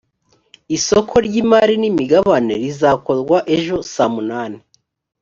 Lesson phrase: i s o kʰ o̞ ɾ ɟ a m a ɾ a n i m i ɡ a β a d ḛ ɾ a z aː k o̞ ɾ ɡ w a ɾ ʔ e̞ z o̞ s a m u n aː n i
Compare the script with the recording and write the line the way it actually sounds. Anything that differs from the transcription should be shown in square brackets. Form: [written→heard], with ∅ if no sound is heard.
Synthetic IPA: i s o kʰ o̞ ɾ ɟ [a→i] m a ɾ [a→i] n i m i ɡ a β a [d→n] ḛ ɾ [a→i] z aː k o̞ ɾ ɡ w a [ɾ→∅] ʔ e̞ [z→ʒ] o̞ s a m u n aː n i